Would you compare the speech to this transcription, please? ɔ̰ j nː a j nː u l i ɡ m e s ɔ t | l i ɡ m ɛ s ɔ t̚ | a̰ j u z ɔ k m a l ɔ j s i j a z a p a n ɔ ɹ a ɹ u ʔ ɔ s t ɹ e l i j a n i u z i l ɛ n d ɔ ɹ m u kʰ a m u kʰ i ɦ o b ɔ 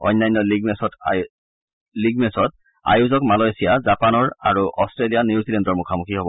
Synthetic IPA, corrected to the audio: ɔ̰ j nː a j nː ɔ l i ɡ m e s ɔ t | l i ɡ m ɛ s ɔ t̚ | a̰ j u z ɔ k m a l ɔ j s i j a z a p a n ɔ ɹ a ɹ u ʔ ɔ s t ɹ e l i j a n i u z i l ɛ n d ɔ ɹ m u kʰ a m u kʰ i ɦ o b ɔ

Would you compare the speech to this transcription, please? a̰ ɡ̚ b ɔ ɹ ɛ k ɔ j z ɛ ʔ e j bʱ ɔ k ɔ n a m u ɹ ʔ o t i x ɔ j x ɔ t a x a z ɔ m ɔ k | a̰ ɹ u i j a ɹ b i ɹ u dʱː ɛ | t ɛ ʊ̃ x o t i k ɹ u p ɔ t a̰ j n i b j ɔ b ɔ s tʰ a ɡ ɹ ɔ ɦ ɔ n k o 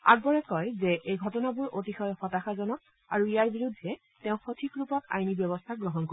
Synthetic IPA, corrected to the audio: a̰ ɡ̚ b ɔ ɹ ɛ k ɔ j z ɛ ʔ e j ɡʱ ɔ t ɔ n a b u ɹ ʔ o t i x ɔ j x ɔ t a x a z ɔ n ɔ k | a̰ ɹ u i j a ɹ b i ɹ u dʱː ɛ | t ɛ ʊ̃ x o tʰ i k ɹ u p ɔ t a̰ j n i b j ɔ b ɔ s tʰ a ɡ ɹ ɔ ɦ ɔ n k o

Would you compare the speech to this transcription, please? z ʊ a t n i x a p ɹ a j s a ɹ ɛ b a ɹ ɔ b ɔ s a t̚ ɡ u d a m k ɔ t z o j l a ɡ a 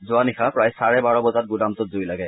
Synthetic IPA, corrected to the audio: z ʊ a n i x a p ɹ a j s a ɹ ɛ b a ɹ ɔ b ɔ z a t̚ ɡ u d a m t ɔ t z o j l a ɡ ɛ

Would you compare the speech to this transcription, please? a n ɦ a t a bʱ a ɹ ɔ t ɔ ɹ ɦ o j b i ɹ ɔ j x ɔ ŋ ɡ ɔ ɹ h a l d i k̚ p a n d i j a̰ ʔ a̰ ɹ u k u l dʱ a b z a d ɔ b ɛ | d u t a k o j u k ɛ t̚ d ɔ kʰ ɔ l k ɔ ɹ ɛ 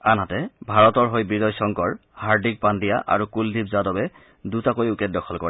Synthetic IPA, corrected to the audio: a n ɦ a t ɛ bʱ a ɹ ɔ t ɔ ɹ ɦ o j b i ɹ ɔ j s ɔ ŋ k ɔ ɹ h a ɹ d i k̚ p a n d i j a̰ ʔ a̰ ɹ u k u l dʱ i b z a d ɔ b ɛ | d u t a k o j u k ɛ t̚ d ɔ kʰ ɔ l k ɔ ɹ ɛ

